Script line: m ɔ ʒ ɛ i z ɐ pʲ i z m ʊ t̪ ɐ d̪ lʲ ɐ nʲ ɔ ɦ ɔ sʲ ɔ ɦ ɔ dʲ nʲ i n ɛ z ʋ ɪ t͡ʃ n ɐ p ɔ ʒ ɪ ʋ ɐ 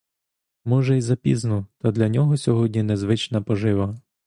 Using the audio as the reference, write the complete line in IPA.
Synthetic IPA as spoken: m ɔ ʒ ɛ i z ɐ pʲ i z n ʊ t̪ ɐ d̪ lʲ ɐ nʲ ɔ ɦ ɔ sʲ ɔ ɦ ɔ dʲ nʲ i n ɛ z ʋ ɪ t͡ʃ n ɐ p ɔ ʒ ɪ ʋ ɐ